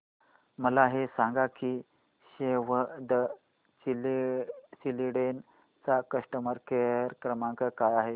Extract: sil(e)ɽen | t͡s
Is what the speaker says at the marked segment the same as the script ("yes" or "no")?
no